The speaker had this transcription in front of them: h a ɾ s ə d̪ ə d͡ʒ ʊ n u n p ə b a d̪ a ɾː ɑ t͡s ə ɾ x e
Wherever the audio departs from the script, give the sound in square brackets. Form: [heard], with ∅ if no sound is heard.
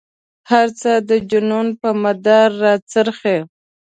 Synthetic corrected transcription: h a ɾ [t͡s] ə d̪ ə d͡ʒ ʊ n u n p ə [m] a d̪ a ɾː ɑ t͡s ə ɾ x e